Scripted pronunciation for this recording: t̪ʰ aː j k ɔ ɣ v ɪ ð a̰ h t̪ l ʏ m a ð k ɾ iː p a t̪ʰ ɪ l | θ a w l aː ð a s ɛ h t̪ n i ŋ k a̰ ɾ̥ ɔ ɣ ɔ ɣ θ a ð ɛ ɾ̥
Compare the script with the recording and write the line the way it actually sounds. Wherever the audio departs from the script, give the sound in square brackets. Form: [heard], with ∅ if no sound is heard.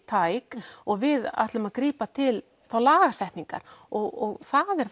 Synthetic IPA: t̪ʰ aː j k ɔ ɣ v ɪ ð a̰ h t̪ l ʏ m a ð k ɾ iː p a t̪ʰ ɪ l | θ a w l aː [ɣ] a s ɛ h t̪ n i ŋ k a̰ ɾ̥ ɔ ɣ ɔ ɣ θ a ð ɛ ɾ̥

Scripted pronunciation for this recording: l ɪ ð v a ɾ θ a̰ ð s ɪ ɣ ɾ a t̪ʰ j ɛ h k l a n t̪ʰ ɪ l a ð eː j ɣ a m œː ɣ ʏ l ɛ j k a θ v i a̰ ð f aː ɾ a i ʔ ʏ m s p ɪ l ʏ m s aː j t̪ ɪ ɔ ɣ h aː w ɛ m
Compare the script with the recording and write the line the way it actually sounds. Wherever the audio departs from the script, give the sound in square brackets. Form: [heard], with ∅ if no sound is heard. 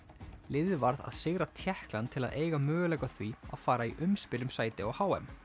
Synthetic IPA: l ɪ ð v a ɾ [ð] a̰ ð s ɪ ɣ ɾ a t̪ʰ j ɛ h k l a n t̪ʰ ɪ l a ð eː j ɣ a m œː ɣ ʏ l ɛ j k a θ v i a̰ ð f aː ɾ a i ʔ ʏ m s p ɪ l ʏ m s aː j t̪ ɪ ɔ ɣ h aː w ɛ m

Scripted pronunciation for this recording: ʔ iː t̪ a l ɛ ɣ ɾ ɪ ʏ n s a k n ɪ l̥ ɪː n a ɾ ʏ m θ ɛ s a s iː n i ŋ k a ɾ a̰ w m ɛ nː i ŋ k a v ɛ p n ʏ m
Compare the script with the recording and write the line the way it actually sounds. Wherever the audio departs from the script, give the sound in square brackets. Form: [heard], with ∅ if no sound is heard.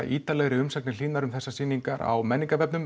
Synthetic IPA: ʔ iː t̪ a l ɛ ɣ ɾ ɪ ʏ [m] s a k n ɪ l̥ [iː] n a ɾ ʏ m θ ɛ [sː] a s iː n i ŋ k a ɾ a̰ w m ɛ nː i ŋ k a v ɛ p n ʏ m

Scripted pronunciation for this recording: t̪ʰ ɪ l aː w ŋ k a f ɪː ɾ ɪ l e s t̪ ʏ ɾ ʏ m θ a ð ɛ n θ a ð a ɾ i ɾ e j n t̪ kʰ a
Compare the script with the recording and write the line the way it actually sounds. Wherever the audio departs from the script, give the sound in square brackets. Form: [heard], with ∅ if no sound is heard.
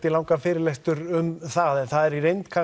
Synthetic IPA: [t̪] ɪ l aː w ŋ k a f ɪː ɾ ɪ l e s t̪ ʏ ɾ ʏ m θ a ð ɛ n θ a ð [ɛ] ɾ i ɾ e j n t̪ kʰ a

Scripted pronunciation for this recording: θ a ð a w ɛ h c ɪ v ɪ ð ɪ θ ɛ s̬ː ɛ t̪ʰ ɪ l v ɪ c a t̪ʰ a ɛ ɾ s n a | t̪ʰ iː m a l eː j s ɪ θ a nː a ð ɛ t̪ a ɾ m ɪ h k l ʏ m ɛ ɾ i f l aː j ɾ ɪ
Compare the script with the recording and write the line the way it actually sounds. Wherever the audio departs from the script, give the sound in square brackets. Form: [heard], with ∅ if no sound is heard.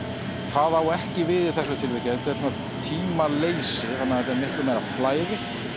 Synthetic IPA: θ a ð a w ɛ h c ɪ v ɪ ð ɪ θ ɛ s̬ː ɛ t̪ʰ ɪ l v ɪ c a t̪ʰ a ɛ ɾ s n a | t̪ʰ iː m a l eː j s ɪ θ a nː a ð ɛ t̪ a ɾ m ɪ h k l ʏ m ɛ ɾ [a] f l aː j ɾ ɪ

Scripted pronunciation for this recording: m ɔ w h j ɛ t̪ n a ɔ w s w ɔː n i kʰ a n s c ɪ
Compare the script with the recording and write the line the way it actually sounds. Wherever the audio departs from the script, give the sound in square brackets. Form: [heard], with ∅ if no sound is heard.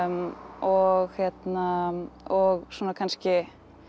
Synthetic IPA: m ɔ [ɣ] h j ɛ t̪ n a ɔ [ɣ] s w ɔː n [a] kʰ a n s c ɪ

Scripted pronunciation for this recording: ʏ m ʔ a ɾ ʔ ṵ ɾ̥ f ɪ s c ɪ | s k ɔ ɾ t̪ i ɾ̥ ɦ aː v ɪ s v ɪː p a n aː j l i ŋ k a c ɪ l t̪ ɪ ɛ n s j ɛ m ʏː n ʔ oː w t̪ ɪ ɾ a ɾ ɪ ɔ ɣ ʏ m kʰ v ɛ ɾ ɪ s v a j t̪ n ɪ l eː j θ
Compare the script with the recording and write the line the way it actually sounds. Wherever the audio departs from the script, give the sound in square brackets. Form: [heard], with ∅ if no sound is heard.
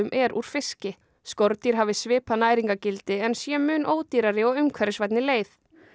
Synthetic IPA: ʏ m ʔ [ɛ] ɾ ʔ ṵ ɾ̥ f ɪ s c ɪ | s k ɔ ɾ t̪ i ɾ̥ ɦ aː v ɪ s v ɪː p a n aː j [ɾ] i ŋ k a c ɪ l t̪ ɪ ɛ n s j ɛ m ʏː n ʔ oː w t̪ [i] ɾ a ɾ ɪ ɔ ɣ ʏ m kʰ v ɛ ɾ ɪ s v a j t̪ n ɪ l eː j θ

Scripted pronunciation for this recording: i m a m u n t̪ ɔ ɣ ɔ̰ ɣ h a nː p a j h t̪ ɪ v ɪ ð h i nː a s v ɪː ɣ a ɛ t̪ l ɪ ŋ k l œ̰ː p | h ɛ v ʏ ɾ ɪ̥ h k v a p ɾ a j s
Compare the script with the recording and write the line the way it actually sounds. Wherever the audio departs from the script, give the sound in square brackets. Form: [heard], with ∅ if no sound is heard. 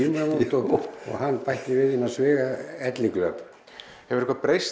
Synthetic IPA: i m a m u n t̪ ɔ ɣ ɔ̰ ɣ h a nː p a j h t̪ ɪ v ɪ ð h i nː a s v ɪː ɣ a ɛ t̪ l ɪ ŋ k l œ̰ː p | h ɛ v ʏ ɾ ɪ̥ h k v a p ɾ [e] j s

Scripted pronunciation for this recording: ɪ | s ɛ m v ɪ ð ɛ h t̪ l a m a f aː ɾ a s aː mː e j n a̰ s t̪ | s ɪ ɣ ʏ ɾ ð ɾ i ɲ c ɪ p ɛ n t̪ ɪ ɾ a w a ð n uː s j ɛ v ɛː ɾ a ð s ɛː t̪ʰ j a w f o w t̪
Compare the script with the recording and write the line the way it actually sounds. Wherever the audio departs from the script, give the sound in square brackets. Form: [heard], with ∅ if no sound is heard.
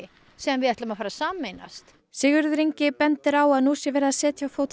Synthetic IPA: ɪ | s ɛ m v ɪ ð ɛ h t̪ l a m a f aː ɾ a s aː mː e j n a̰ s t̪ | s ɪ ɣ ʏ ɾ ð ɾ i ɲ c ɪ p ɛ n t̪ ɪ ɾ a w a ð n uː s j ɛ v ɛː ɾ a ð s ɛː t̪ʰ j a w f o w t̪

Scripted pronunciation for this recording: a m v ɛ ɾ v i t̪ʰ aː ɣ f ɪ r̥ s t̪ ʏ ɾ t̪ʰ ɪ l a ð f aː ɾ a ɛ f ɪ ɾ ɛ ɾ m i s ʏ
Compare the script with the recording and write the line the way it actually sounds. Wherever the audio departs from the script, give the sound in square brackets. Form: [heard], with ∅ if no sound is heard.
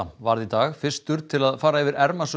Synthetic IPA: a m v [a] ɾ [ð] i [t̪] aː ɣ f ɪ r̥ s t̪ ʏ ɾ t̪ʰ ɪ l a ð f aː ɾ a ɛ [v] ɪ ɾ ɛ ɾ m [a] s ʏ

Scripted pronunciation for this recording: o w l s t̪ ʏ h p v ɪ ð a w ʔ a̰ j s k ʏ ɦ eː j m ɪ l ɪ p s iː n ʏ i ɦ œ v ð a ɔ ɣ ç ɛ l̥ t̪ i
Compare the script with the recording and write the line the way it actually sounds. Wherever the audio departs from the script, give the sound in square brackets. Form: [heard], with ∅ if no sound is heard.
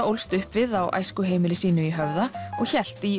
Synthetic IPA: o w l s t̪ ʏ h p v ɪ ð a w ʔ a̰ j s k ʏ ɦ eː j m ɪ l ɪ [∅] s iː n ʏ i ɦ œ v ð a ɔ ɣ ç ɛ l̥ t̪ i

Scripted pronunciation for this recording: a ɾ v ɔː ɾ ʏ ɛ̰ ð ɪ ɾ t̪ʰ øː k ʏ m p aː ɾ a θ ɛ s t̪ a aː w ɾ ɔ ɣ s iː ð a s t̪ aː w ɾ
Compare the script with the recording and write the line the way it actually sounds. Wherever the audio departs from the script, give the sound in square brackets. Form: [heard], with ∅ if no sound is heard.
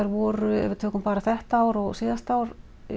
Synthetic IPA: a ɾ v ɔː ɾ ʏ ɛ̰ [v] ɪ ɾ t̪ʰ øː k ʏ m p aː ɾ a θ ɛ [h] t̪ a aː w ɾ ɔ ɣ s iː ð a s t̪ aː w ɾ

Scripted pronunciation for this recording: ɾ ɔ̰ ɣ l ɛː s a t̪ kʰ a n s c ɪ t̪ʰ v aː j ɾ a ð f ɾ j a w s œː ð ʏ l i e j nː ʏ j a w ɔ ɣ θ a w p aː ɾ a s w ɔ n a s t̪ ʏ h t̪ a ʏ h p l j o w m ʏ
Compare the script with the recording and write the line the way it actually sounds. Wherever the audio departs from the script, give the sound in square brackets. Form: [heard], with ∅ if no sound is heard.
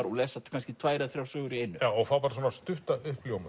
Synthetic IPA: ɾ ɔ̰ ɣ l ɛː s a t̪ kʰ a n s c ɪ t̪ʰ v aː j ɾ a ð [θ] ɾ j a w s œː [ɣ] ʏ [ɾ] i e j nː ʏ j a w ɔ ɣ θ a w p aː ɾ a s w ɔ n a s t̪ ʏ h t̪ a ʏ h p l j o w m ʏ

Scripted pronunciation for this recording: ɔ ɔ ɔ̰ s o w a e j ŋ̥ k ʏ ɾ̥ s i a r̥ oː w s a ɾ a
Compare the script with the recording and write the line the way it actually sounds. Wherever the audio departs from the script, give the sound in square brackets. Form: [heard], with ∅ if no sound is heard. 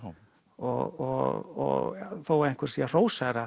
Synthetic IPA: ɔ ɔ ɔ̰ [θ] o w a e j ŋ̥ k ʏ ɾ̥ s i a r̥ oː w s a ɾ a

